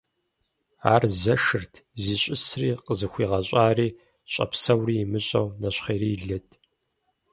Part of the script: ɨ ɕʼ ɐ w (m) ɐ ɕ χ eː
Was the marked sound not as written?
yes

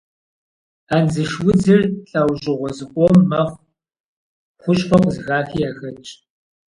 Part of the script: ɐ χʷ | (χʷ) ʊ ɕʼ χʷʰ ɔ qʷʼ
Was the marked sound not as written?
no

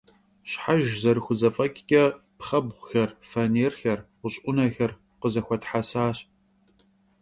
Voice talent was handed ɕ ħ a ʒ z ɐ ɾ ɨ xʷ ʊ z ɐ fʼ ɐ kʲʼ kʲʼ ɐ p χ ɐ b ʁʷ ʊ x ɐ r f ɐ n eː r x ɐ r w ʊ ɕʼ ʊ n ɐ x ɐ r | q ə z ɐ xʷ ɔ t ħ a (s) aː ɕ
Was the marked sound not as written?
no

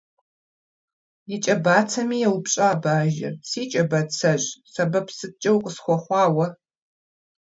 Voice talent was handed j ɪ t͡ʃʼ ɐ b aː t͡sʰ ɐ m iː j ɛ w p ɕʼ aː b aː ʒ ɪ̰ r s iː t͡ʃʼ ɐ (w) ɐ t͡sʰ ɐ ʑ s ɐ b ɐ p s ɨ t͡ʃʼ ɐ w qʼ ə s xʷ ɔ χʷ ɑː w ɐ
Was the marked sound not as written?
yes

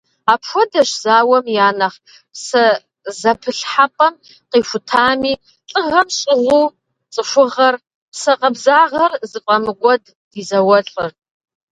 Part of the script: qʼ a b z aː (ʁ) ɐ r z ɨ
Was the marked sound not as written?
no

